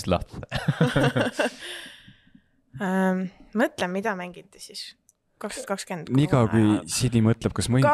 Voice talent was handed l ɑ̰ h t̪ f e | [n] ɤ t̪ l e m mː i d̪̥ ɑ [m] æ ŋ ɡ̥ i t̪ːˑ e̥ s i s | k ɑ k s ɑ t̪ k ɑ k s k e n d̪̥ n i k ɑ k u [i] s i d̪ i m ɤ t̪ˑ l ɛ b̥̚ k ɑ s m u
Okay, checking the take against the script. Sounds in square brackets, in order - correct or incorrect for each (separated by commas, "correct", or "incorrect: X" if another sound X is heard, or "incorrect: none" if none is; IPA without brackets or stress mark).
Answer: incorrect: m, correct, incorrect: j